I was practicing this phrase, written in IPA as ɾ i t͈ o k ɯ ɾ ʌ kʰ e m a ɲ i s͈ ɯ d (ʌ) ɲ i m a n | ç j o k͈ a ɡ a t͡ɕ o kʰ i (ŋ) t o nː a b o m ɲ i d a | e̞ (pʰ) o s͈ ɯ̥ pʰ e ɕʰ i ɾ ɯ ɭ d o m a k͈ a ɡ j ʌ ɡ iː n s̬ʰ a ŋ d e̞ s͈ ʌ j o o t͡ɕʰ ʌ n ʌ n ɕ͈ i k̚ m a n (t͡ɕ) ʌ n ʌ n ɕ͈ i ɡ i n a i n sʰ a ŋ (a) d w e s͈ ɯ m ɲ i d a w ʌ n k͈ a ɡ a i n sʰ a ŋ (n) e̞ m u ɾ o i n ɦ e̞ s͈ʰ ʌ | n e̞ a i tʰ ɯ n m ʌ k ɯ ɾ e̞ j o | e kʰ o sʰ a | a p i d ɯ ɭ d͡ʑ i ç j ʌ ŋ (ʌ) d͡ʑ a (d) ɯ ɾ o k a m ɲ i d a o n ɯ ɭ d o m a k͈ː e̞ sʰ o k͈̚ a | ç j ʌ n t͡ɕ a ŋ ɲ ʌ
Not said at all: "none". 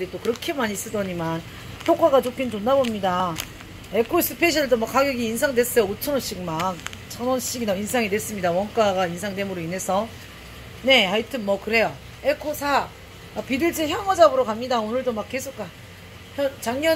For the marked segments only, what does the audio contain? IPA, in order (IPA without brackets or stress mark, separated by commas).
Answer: ʌ, n, kʰ, t͡ɕʰ, i, d, ʌ, b